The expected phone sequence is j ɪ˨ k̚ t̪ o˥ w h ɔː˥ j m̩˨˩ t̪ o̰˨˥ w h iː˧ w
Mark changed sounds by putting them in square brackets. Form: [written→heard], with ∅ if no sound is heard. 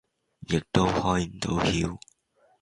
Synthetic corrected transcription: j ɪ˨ k̚ t̪ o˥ w h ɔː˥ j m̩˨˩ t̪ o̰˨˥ w h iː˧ w